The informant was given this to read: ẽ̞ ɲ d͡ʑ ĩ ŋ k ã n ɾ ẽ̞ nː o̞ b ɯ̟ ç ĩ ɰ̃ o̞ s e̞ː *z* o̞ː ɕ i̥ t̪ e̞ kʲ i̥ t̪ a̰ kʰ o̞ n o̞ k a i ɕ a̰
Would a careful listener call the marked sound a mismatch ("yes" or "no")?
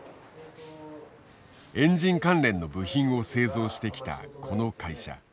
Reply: no